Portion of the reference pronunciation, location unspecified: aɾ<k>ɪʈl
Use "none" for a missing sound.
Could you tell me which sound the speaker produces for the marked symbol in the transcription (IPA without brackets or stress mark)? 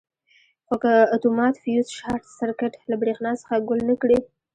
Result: k